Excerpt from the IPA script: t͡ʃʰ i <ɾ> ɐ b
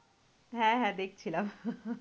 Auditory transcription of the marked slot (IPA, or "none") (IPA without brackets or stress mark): l